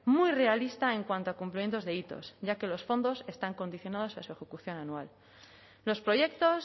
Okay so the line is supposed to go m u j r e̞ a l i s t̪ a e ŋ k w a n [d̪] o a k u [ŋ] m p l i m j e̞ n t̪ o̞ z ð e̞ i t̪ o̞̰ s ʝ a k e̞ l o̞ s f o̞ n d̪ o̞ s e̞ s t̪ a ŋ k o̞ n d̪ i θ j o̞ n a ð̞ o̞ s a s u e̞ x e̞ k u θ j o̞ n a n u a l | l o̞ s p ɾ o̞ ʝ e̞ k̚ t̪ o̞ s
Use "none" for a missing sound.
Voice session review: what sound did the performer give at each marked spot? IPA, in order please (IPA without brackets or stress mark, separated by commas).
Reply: t̪, none